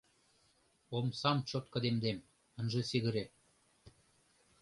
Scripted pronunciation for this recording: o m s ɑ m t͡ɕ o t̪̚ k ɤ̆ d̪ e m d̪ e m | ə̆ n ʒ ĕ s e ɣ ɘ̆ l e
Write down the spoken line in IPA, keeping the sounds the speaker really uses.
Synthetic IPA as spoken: o m s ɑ m t͡ɕ o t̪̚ k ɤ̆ d̪ e m d̪ e m | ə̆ n ʒ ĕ s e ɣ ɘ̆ ɾ e